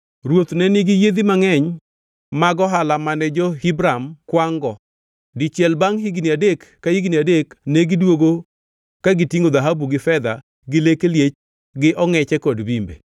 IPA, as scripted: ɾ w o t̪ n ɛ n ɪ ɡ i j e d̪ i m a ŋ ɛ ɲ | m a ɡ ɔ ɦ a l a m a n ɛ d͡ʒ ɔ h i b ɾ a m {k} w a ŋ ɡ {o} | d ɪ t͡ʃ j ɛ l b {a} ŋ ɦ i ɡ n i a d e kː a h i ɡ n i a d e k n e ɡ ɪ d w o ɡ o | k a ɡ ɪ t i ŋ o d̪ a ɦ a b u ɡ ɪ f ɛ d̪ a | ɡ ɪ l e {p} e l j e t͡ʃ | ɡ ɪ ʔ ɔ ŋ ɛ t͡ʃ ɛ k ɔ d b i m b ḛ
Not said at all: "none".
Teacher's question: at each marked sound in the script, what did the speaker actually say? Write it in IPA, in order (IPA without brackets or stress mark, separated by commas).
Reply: k, ɔ, a, k